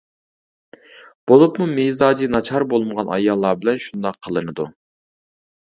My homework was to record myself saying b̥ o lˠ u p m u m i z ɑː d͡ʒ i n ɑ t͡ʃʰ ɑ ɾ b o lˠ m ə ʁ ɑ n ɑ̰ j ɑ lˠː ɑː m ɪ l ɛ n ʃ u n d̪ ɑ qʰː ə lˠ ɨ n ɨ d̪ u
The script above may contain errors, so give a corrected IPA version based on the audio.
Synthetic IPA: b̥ o lˠ u p m u m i z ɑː d͡ʒ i n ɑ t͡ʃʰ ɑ ɾ b o lˠ m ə ʁ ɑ n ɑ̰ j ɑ lˠː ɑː b ɪ l ɛ n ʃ u n d̪ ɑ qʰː ə lˠ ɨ n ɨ d̪ u